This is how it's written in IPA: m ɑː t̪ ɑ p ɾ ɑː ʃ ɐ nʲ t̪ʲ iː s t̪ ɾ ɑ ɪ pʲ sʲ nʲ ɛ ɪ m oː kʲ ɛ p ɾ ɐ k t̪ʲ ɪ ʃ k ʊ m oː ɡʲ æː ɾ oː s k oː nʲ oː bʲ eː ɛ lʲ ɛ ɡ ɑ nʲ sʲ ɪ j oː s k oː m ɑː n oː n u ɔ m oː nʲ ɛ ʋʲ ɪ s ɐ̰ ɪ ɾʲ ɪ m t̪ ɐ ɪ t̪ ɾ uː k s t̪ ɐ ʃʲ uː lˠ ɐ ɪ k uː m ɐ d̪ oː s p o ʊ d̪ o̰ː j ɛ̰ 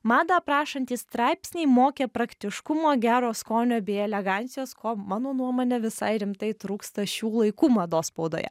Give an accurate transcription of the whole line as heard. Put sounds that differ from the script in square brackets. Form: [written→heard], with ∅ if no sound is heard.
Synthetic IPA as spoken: m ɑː [t̪→d̪] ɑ p ɾ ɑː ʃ ɐ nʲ t̪ʲ iː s t̪ ɾ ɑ ɪ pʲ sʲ nʲ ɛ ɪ m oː kʲ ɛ p ɾ ɐ k t̪ʲ ɪ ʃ k ʊ m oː ɡʲ æː ɾ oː s k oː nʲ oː bʲ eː ɛ lʲ ɛ ɡ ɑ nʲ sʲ ɪ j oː s k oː m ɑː n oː n u ɔ m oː nʲ ɛ ʋʲ ɪ s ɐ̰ ɪ ɾʲ ɪ m t̪ ɐ ɪ t̪ ɾ uː k s t̪ ɐ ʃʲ uː lˠ ɐ ɪ k uː m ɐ d̪ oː s p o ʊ d̪ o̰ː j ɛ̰